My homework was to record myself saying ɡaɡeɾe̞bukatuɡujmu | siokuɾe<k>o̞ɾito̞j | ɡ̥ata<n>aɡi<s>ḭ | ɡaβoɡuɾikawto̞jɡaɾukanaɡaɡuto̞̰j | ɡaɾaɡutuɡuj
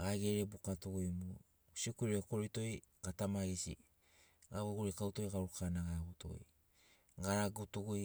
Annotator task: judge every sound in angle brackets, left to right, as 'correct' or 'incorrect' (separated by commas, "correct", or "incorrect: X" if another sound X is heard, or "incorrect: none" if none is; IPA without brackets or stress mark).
correct, incorrect: m, correct